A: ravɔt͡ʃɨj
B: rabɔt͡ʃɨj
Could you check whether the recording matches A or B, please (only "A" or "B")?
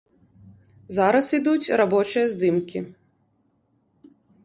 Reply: B